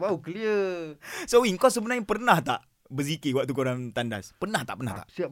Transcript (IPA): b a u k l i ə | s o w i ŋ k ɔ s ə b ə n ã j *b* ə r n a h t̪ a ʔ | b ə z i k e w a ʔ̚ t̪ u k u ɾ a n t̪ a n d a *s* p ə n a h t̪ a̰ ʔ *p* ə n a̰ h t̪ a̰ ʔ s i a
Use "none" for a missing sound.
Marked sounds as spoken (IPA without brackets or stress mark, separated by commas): p, s, p